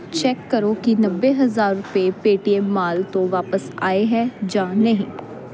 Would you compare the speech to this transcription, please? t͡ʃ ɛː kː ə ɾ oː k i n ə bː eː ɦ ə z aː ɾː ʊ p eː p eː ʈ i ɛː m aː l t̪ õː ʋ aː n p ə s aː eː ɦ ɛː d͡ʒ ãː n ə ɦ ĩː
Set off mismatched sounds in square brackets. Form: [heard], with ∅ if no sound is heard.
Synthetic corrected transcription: t͡ʃ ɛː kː ə ɾ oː k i n ə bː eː ɦ ə z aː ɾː ʊ p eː p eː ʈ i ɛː m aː l t̪ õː ʋ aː [∅] p ə s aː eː ɦ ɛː d͡ʒ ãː n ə ɦ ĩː